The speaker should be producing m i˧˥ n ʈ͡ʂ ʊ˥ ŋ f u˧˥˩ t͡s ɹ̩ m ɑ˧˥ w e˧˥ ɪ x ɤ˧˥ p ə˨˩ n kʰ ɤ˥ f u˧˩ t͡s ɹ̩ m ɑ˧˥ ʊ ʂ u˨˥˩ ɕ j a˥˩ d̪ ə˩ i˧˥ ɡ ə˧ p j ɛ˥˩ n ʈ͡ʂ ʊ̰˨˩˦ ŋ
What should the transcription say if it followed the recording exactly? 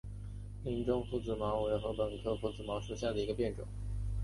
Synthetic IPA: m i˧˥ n ʈ͡ʂ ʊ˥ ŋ f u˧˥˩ t͡s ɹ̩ m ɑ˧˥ w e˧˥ ɪ x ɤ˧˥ p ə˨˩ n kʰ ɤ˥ f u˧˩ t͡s ɹ̩ m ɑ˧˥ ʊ ʂ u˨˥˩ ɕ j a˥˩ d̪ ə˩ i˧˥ ɡ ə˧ p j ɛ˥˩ n ʈ͡ʂ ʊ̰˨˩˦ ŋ

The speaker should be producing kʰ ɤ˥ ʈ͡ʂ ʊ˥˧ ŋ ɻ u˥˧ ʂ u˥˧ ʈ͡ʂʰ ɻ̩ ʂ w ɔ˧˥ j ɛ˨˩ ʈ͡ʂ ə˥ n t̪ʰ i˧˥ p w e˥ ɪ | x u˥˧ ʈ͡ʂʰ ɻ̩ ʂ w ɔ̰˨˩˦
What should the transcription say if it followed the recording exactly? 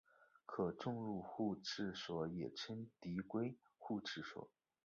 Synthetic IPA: kʰ ɤ˨˩ ʈ͡ʂ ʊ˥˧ ŋ ɻ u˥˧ x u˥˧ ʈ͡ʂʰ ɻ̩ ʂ w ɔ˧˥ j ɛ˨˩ ʈ͡ʂʰ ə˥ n t̪ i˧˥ k w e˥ ɪ | x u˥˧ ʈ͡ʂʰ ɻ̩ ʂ w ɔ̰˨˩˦

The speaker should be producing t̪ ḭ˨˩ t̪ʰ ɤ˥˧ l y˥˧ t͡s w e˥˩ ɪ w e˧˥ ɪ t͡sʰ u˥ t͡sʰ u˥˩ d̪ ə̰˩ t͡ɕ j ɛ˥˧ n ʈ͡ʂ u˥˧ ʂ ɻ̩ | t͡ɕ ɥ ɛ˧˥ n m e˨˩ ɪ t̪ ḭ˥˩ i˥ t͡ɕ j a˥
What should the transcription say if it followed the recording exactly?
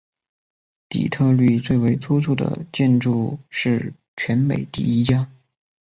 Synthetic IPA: t̪ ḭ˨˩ t̪ʰ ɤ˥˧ l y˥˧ t͡s w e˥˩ ɪ w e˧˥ ɪ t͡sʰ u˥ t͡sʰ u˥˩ d̪ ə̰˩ t͡ɕ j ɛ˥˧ n ʈ͡ʂ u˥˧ ʂ ɻ̩ | t͡ɕʰ ɥ ɛ˧˥ n m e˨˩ ɪ t̪ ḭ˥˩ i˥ t͡ɕ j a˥

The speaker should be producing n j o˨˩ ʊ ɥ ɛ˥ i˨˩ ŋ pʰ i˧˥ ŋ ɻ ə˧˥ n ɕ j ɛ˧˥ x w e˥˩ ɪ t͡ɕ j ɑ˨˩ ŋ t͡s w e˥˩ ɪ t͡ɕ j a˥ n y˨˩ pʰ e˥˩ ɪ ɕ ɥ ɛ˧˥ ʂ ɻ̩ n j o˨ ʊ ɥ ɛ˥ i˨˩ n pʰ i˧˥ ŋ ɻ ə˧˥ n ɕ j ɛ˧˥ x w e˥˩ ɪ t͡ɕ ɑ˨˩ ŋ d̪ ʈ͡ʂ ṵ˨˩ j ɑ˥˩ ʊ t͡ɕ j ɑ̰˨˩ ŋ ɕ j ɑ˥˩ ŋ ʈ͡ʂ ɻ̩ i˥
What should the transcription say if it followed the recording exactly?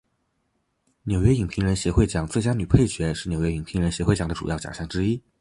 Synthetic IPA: n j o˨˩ ʊ ɥ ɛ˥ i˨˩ ŋ pʰ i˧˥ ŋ ɻ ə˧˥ n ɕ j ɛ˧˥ x w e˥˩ ɪ t͡ɕ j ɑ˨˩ ŋ t͡s w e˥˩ ɪ t͡ɕ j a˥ n y˨˩ pʰ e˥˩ ɪ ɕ ɥ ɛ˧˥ ʂ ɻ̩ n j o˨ ʊ ɥ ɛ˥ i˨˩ ŋ pʰ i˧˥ ŋ ɻ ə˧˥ n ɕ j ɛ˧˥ x w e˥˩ ɪ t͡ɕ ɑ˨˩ ŋ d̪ ʈ͡ʂ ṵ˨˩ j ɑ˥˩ ʊ t͡ɕ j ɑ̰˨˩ ŋ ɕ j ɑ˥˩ ŋ ʈ͡ʂ ɻ̩ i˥

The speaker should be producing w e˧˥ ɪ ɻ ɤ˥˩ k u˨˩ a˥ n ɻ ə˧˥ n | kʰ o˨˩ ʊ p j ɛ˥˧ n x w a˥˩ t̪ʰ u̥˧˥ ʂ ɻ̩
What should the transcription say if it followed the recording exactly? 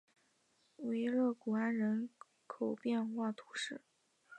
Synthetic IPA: w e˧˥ ɪ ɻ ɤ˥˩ k u˨˩ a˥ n ɻ ə˧˥ n | kʰ o˨˩ ʊ p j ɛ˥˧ n x w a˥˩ t̪ʰ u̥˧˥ ʂ ɻ̩

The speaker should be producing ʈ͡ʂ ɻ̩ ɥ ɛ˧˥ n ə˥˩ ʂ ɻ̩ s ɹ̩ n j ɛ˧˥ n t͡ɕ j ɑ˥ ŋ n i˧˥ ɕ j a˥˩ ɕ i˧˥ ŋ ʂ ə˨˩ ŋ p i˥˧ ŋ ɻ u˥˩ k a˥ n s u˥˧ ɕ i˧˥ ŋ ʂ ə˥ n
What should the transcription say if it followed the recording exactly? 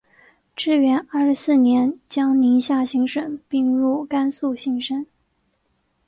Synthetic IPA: ʈ͡ʂ ɻ̩ ɥ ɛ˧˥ n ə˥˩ ʂ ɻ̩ s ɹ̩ n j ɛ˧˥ n t͡ɕ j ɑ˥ ŋ n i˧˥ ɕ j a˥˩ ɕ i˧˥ ŋ ʂ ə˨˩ ŋ p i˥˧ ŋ ɻ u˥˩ k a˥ n s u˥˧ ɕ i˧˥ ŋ ʂ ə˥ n

